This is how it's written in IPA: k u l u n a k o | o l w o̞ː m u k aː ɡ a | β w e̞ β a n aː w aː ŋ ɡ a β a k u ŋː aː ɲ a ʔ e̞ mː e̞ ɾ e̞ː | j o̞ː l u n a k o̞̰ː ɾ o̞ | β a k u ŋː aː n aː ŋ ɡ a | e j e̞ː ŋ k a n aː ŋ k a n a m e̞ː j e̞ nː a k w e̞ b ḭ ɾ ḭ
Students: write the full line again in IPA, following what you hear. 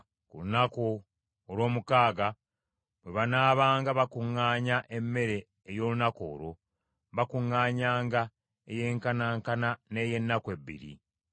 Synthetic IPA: k u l u n a k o | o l w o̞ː m u k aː ɡ a | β w e̞ β a n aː β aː ŋ ɡ a β a k u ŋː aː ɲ a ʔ e̞ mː e̞ ɾ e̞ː | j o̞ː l u n a k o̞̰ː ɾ o̞ | β a k u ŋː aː ɲ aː ŋ ɡ a | e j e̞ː ŋ k a n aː ŋ k a n a n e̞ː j e̞ nː a k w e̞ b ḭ ɾ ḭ